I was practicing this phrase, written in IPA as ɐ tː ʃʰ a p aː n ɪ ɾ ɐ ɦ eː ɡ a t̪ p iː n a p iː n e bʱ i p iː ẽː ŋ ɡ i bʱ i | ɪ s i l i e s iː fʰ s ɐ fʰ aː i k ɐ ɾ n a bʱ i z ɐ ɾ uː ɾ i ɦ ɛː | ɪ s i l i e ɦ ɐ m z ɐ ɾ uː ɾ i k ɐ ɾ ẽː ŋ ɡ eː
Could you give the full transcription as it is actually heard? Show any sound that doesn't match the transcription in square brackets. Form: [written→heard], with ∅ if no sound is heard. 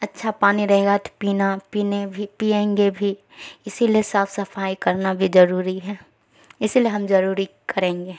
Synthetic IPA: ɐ tː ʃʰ a p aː n [ɪ→i] ɾ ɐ ɦ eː ɡ a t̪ p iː n a p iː n e bʱ i p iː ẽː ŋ ɡ [i→e] bʱ i | ɪ s i l i e s [iː→aː] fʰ s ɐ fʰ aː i k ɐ ɾ n a bʱ i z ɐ ɾ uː ɾ i ɦ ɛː | ɪ s i l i e ɦ ɐ m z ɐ ɾ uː ɾ i k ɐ ɾ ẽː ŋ ɡ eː